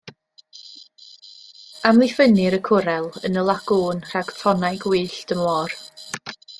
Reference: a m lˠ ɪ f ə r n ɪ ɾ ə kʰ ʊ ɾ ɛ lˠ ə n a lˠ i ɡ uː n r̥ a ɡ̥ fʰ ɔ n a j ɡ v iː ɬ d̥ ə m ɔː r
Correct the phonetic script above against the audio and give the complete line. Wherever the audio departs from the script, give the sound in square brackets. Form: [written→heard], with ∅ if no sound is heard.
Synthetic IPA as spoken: a m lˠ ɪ f ə [r→∅] n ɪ ɾ ə kʰ ʊ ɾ ɛ lˠ ə n [a→ə] lˠ [i→a] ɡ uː n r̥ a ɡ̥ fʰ ɔ n a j ɡ [v→w] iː ɬ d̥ ə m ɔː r